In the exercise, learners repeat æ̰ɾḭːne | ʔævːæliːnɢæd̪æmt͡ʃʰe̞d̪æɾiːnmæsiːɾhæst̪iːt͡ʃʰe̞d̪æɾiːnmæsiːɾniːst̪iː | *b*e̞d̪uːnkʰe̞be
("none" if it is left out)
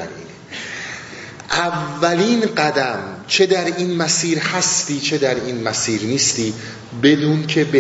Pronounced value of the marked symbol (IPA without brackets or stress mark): b